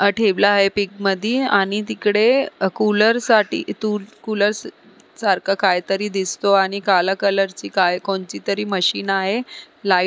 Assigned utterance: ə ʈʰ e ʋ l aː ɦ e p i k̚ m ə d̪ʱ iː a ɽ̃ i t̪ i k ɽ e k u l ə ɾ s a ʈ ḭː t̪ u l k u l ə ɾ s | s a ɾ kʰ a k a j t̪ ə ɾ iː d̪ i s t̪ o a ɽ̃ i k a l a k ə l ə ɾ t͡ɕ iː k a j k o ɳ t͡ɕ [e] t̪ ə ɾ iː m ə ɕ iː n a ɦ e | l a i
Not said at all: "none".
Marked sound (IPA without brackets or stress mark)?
i